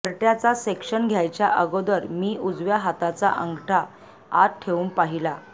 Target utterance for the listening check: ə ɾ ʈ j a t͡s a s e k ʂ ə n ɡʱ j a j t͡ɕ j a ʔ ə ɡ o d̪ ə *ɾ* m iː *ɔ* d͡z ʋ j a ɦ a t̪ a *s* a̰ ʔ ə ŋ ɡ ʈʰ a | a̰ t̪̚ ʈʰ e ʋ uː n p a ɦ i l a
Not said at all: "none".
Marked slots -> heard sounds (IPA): ɾ, u, t͡s

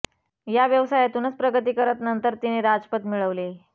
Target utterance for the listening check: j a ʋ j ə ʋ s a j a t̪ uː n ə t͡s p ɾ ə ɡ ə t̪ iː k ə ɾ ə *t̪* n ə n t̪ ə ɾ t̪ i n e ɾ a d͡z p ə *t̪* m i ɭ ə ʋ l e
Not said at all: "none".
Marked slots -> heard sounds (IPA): t̪, t̪

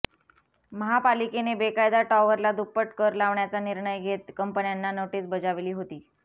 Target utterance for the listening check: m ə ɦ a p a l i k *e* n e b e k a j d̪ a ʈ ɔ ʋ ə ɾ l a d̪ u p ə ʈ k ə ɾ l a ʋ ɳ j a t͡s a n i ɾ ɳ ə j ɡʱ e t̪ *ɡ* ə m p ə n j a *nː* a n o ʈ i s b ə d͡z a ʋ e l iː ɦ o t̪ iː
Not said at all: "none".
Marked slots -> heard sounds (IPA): e, k, nː

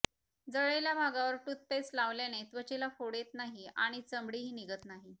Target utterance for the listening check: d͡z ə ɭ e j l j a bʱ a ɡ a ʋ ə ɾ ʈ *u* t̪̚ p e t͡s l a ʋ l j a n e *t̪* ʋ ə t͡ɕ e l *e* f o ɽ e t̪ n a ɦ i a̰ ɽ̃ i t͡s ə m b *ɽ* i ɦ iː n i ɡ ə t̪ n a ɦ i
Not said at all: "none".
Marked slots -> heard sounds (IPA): u, t̪, a, ɽ

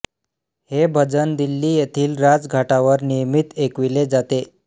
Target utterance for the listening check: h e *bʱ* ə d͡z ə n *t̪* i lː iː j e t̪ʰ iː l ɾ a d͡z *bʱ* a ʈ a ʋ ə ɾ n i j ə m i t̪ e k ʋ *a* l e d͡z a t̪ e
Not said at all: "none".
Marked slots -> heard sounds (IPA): bʱ, d̪, ɡʱ, i

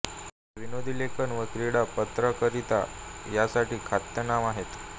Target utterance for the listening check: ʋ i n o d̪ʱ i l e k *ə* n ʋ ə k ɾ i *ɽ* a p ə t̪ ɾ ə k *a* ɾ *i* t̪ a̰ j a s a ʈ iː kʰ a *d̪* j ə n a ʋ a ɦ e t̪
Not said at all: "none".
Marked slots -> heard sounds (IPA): ə, ɽ, ə, i, t̪

